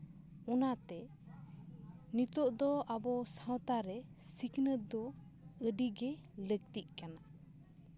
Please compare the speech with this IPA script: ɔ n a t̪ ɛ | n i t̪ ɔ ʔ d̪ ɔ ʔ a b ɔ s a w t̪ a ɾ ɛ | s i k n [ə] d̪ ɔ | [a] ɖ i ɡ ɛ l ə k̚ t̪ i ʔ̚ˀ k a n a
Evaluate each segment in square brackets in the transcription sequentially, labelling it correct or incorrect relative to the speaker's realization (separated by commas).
correct, incorrect